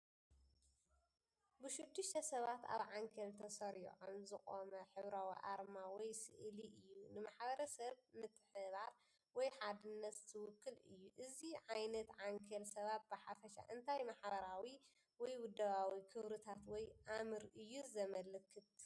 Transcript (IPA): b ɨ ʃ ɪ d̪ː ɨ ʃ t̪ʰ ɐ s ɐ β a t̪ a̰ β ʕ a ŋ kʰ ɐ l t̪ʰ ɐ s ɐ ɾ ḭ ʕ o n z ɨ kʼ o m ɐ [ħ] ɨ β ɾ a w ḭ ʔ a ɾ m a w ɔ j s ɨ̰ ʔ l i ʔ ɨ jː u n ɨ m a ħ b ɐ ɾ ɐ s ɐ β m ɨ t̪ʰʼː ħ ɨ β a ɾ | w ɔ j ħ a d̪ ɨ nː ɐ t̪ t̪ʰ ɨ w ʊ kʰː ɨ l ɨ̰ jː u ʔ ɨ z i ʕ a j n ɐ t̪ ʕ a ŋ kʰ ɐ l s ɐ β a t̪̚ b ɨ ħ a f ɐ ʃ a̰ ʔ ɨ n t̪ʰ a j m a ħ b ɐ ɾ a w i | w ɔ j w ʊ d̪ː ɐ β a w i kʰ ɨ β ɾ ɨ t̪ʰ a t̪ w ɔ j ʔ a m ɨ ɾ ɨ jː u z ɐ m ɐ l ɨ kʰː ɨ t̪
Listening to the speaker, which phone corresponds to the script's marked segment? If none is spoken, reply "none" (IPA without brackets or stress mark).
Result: ħ